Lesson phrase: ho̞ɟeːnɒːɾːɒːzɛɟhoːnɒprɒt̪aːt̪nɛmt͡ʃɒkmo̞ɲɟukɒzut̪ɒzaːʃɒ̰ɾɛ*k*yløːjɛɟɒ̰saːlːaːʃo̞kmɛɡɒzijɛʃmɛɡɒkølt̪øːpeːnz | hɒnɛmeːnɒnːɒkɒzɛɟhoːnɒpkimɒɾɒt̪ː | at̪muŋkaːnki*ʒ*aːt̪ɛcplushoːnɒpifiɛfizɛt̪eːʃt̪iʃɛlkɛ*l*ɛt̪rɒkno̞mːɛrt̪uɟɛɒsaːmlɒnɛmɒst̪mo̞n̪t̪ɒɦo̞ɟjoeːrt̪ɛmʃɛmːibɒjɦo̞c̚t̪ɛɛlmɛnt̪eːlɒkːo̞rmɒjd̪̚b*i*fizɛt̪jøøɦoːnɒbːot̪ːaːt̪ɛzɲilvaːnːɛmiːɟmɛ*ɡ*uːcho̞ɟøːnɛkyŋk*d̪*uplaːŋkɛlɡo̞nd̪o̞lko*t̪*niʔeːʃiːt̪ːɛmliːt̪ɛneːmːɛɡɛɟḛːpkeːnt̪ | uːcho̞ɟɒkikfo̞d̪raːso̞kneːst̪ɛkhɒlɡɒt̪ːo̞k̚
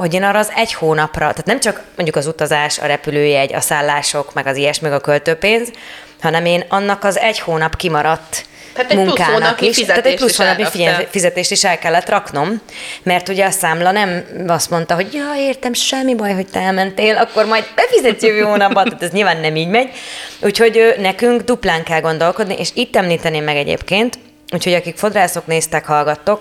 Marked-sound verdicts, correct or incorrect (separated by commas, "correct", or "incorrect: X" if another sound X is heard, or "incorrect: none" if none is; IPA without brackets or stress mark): incorrect: p, incorrect: ʃ, incorrect: lː, incorrect: ɛ, incorrect: ɟ, correct, incorrect: d̪